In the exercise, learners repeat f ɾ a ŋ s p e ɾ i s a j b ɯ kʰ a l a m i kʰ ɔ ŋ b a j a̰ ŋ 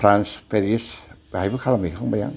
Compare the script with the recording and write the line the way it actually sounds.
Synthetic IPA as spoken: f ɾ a n s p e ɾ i s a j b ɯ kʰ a l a m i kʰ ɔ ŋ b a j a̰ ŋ

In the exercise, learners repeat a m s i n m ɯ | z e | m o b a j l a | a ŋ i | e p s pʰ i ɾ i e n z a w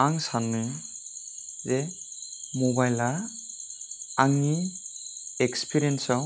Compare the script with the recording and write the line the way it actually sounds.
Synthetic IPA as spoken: a ŋ s a n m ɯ | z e | m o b a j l a | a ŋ i | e k s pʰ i ɾ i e n s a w

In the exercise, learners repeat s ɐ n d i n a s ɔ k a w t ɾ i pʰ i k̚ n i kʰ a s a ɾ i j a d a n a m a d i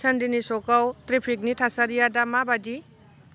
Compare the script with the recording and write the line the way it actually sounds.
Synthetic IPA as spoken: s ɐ n d i n i s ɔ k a w t ɾ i pʰ i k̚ n i tʰ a s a ɾ i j a d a m a b a d i

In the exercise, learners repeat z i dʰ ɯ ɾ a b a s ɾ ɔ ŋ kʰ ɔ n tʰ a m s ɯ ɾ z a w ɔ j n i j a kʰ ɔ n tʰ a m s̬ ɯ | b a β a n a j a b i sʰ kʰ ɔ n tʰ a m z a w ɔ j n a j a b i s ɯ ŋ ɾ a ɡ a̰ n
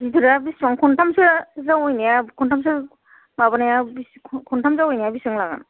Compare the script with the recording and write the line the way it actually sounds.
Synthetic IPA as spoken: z i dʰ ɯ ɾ a b i s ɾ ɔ ŋ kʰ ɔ n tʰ a m s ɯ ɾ z a w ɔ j n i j a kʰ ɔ n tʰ a m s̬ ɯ | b a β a n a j a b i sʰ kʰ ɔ n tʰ a m z a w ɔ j n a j a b i s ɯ ŋ l a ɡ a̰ n

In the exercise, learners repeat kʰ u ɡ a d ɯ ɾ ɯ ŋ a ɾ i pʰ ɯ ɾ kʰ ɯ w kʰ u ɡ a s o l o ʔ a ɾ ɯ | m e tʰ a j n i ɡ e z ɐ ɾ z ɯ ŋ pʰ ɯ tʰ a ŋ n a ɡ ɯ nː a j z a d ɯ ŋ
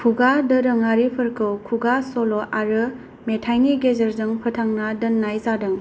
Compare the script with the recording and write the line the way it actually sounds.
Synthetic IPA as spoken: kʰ u ɡ a d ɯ ɾ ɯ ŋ a ɾ i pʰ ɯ ɾ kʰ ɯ w kʰ u ɡ a s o l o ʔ a ɾ ɯ | m e tʰ a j n i ɡ e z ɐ ɾ z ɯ ŋ pʰ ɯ tʰ a ŋ n a d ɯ nː a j z a d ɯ ŋ

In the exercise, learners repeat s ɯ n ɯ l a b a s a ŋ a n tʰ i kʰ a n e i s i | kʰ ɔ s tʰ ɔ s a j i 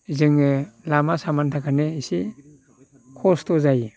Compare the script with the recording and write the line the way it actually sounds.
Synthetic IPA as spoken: z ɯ ŋ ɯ l a m a s a m a n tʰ a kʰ a n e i s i | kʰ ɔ s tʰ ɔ z a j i

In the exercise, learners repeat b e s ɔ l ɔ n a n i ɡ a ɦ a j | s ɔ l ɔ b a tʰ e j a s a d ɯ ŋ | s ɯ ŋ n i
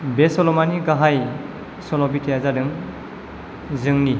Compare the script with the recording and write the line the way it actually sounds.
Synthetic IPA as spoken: b e s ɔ l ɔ m a n i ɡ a ɦ a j | s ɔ l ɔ b i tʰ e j a z a d ɯ ŋ | z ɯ ŋ n i

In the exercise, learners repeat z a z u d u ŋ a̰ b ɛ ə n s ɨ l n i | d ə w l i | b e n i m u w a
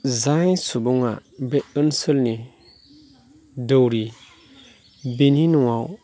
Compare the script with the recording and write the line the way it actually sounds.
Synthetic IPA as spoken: z a s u b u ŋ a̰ b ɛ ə n s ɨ l n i | d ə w ɾ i | b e n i n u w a

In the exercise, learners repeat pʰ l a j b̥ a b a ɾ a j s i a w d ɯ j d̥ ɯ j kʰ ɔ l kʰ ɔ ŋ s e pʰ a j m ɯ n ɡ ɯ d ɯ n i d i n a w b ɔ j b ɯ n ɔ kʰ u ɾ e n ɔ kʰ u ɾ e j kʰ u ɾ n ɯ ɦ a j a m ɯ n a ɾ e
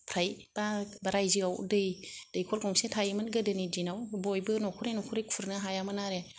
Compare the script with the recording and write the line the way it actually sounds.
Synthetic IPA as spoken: pʰ ɾ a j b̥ a b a ɾ a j z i a w d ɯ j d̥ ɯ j kʰ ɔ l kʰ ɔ ŋ s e tʰ a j m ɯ n ɡ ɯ d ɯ n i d i n a w b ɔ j b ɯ n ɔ kʰ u ɾ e n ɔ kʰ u ɾ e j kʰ u ɾ n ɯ ɦ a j a m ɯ n a ɾ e

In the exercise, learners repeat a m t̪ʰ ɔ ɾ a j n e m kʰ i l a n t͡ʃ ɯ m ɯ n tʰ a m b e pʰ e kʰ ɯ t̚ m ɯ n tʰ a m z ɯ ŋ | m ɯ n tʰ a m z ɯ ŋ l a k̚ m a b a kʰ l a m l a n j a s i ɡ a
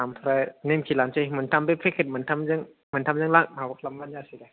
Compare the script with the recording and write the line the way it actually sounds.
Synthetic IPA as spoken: a m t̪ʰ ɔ ɾ a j n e m kʰ i l a n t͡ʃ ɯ m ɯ n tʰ a m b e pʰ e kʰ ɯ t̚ m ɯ n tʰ a m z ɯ ŋ | m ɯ n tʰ a m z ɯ ŋ l a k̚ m a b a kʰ l a m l a n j a s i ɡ a

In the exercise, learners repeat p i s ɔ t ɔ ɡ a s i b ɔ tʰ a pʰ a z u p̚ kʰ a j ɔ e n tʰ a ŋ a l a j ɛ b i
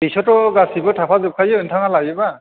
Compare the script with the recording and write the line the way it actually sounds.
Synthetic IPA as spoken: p i s ɔ t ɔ ɡ a s i b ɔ tʰ a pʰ a z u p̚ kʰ a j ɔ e n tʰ a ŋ a l a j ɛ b a

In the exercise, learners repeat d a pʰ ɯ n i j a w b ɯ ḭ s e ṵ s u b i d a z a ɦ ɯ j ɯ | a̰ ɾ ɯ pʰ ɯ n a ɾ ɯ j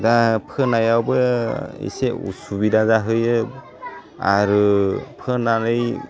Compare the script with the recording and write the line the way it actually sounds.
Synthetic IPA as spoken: d a pʰ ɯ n a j a w b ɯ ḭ s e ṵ s u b i d a z a ɦ ɯ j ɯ | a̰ ɾ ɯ pʰ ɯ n a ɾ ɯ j

